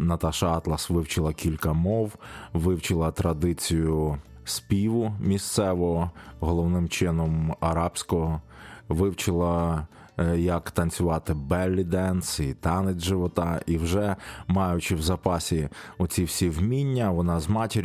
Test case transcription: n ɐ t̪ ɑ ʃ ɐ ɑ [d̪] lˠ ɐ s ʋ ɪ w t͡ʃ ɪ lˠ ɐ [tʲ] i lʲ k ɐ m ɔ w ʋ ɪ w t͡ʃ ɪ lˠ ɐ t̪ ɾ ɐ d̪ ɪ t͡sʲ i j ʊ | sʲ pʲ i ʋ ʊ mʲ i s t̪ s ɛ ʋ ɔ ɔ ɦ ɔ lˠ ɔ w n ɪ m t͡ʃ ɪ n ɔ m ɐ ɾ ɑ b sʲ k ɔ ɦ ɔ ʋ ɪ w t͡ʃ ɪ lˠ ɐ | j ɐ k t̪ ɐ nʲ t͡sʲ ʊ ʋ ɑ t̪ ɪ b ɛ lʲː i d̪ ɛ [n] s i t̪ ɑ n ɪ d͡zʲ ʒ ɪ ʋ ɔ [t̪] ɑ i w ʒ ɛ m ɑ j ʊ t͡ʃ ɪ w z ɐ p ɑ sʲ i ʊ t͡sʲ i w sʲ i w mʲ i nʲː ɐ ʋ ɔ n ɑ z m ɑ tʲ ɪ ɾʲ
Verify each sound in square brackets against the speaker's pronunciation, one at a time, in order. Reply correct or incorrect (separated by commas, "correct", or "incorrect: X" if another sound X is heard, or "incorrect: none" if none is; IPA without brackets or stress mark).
incorrect: t̪, incorrect: kʲ, correct, correct